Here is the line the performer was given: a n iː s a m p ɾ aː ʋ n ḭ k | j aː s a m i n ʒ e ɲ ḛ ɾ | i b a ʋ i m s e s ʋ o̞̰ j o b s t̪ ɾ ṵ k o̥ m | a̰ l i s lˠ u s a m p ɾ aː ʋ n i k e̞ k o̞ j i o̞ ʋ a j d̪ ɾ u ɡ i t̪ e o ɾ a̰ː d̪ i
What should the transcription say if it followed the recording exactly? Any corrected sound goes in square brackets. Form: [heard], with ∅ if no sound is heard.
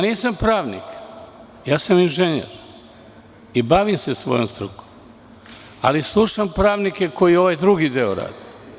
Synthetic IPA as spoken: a n iː s a m p ɾ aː ʋ n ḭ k | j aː s a m i n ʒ e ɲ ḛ ɾ | i b a ʋ i m s e s ʋ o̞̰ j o [m] s t̪ ɾ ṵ k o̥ m | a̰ l i s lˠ u [ʃ] a m p ɾ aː ʋ n i k e̞ k o̞ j i o̞ ʋ a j d̪ ɾ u ɡ i [d̪] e o ɾ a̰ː d̪ i